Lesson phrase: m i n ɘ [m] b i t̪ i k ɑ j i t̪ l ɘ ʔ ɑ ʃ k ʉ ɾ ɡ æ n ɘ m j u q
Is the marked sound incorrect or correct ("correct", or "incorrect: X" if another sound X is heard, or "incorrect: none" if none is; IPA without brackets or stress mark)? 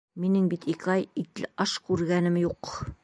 incorrect: ŋ